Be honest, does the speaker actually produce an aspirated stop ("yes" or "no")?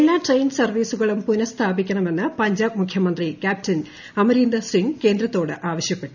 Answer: yes